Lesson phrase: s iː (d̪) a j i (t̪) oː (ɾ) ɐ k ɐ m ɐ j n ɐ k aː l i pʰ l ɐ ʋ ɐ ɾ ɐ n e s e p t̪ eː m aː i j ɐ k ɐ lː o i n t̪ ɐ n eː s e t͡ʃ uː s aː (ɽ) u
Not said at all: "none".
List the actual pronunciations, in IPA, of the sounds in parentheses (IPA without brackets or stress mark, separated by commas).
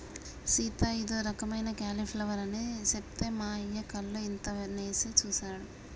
t̪, d̪, ɾ, ɽ